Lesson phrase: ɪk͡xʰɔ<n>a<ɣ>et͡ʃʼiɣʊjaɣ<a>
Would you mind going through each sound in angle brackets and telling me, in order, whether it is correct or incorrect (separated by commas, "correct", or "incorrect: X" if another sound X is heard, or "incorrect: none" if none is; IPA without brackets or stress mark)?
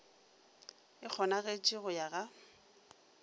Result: correct, correct, correct